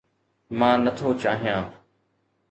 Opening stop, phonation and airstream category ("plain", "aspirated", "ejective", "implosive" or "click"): aspirated